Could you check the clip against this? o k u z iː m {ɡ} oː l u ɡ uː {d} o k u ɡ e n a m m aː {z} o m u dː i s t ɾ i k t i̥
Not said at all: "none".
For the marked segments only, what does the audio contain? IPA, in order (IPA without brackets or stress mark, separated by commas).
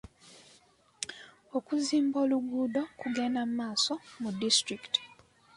b, d, s